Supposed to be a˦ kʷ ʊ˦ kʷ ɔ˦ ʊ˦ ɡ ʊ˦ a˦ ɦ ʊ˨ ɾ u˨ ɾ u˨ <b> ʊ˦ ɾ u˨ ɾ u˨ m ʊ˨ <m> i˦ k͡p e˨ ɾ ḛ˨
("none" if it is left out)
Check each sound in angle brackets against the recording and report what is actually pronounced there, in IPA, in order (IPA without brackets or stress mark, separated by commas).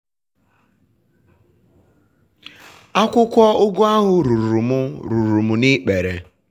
m, n